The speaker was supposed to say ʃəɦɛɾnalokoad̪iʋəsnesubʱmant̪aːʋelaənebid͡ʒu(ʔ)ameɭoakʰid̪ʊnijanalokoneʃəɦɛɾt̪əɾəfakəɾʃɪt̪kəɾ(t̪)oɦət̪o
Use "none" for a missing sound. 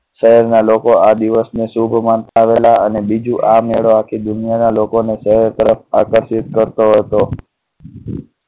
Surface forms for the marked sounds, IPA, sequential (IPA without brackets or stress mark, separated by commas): ʔ, t̪